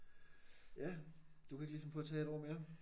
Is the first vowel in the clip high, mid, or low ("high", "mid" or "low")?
low